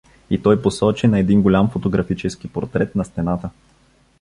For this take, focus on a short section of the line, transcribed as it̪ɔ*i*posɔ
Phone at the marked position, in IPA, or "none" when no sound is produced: j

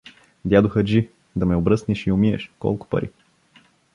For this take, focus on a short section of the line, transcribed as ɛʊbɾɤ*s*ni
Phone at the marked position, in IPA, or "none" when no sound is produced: s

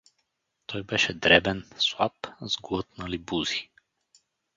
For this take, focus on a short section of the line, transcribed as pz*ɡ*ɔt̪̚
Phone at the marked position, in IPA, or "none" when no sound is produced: ɡ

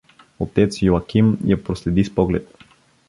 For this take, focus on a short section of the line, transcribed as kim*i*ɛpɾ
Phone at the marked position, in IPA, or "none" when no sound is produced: j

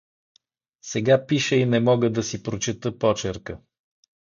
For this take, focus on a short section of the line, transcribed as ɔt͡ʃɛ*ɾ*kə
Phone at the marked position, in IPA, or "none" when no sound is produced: ɾ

